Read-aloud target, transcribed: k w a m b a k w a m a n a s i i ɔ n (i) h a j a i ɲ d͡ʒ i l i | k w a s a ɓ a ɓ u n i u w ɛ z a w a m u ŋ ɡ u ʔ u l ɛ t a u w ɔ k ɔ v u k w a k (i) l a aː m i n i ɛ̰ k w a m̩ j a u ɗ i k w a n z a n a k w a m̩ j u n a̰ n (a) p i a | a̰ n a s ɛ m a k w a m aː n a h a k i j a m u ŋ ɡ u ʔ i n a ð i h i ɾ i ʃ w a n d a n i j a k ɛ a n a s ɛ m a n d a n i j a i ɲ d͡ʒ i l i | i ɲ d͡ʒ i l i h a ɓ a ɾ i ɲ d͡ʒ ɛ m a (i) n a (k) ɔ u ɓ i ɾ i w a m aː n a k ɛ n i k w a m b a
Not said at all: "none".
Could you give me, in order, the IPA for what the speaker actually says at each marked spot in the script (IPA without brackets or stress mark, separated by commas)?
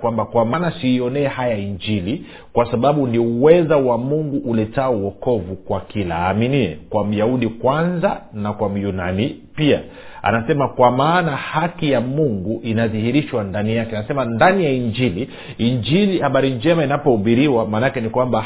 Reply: ɛ, i, i, i, p